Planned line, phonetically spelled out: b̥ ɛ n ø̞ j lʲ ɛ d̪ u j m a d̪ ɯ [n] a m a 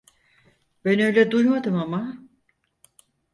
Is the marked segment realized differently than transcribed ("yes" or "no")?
yes